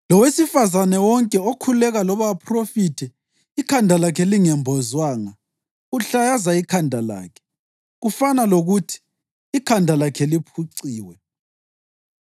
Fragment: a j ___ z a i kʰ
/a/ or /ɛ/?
a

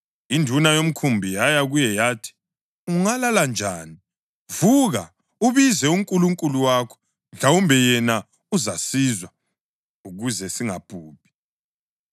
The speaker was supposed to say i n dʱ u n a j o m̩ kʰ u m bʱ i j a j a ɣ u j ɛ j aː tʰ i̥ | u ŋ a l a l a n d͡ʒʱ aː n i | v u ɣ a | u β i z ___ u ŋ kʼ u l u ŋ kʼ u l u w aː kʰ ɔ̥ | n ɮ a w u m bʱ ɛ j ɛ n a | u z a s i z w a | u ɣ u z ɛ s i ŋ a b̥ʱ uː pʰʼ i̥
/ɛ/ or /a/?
ɛ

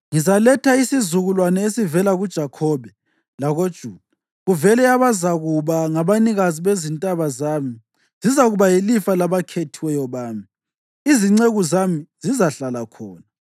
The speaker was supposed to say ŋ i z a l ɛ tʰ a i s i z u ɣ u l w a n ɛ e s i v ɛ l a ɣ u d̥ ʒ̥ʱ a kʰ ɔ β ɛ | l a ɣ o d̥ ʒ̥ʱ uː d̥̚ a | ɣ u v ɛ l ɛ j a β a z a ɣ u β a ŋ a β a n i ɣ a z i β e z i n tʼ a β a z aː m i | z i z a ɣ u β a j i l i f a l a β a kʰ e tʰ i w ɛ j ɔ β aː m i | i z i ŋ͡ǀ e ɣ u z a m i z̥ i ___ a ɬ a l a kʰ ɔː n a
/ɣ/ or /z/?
z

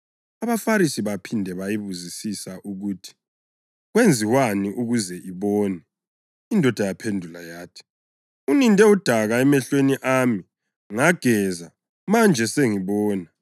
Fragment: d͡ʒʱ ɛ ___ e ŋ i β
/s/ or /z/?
s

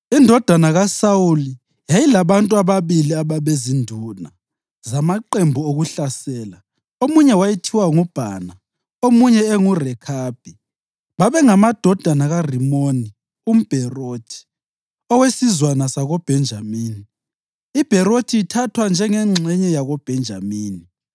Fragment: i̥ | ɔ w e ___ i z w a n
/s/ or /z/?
s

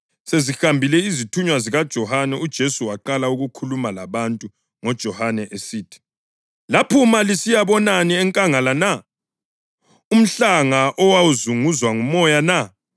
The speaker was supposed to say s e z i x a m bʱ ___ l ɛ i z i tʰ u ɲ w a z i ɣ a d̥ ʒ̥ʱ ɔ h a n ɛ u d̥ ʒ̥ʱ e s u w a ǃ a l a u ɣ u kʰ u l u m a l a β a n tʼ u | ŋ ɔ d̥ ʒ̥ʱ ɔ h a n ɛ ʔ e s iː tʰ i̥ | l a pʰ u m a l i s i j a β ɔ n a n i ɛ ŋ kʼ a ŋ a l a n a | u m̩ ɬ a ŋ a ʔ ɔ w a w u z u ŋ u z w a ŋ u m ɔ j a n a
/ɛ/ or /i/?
i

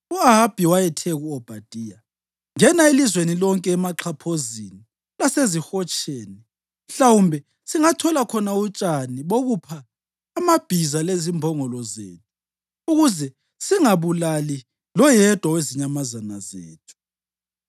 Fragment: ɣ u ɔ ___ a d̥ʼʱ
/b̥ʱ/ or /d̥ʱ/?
b̥ʱ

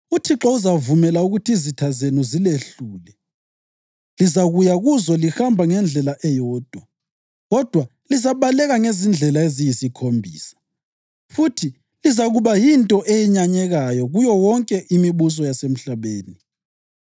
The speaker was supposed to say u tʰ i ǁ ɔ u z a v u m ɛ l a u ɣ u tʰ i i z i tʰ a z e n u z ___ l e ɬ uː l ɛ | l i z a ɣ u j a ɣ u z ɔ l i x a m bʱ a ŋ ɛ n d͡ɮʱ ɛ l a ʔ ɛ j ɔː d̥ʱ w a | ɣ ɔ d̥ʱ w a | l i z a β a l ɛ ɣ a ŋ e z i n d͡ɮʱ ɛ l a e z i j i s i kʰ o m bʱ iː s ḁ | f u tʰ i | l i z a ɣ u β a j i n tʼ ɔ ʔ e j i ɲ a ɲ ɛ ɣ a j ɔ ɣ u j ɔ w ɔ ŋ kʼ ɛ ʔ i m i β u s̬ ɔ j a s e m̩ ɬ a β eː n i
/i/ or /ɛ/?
i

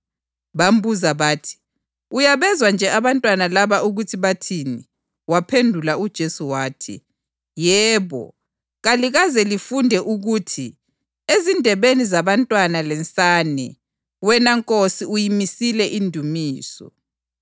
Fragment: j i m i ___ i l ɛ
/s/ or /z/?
s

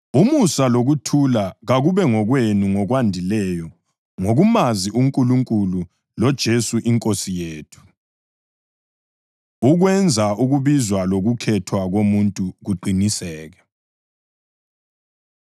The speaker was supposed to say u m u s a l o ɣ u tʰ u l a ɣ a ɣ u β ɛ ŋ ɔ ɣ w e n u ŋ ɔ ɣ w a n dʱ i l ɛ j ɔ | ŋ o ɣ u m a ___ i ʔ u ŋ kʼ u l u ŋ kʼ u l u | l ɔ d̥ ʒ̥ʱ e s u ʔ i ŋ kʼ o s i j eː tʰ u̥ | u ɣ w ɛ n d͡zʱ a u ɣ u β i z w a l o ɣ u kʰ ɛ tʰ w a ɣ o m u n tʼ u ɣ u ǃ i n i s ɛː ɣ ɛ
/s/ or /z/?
z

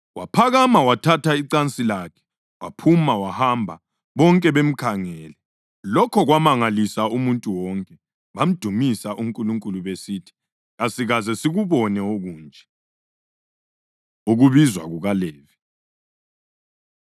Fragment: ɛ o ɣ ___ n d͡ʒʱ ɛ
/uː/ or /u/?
uː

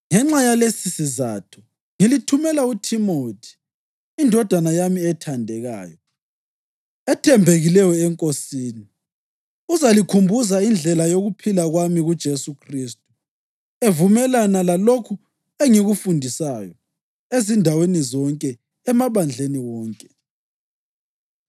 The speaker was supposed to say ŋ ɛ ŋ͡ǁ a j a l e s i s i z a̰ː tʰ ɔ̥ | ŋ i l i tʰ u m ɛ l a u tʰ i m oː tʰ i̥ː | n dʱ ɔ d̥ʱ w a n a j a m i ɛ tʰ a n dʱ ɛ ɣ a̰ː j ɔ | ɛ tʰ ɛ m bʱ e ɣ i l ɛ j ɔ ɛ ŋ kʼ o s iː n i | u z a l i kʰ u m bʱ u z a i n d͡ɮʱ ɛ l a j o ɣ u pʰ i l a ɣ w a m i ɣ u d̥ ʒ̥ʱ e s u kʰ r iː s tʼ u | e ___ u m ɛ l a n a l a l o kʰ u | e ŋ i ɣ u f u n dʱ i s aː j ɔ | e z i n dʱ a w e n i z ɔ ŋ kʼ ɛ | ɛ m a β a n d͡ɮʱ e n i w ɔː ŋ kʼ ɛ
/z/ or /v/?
v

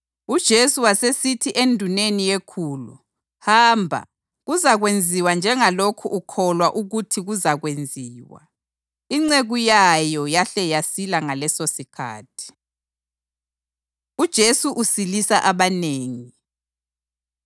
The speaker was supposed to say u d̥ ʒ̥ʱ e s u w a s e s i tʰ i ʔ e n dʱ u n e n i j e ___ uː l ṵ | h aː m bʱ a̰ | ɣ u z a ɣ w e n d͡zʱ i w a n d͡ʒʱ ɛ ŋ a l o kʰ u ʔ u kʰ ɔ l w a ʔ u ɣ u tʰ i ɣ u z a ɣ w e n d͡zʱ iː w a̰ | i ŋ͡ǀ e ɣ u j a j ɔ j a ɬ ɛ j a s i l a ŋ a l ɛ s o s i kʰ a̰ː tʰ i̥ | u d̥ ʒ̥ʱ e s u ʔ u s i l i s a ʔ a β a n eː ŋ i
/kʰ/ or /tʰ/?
kʰ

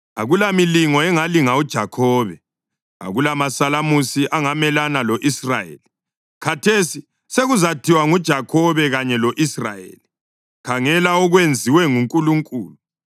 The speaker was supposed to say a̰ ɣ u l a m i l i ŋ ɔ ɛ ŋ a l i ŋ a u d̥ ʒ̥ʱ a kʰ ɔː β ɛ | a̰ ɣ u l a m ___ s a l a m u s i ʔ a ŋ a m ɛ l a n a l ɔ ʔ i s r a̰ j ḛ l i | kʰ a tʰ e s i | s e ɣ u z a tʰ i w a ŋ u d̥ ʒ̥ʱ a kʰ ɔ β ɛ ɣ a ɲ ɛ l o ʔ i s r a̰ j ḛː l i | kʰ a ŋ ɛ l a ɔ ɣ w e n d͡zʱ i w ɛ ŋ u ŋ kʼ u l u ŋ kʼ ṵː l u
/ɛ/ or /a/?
a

